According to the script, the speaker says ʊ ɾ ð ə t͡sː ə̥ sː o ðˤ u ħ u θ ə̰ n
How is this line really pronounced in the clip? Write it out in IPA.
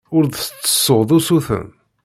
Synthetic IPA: ʊ ɾ ð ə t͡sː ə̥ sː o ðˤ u s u θ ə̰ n